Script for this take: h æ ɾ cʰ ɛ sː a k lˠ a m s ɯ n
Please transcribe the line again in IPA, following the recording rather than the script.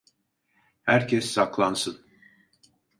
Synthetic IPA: h æ ɾ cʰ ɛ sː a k lˠ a n s ɯ n